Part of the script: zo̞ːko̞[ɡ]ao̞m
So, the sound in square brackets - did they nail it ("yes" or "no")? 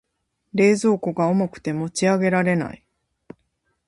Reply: yes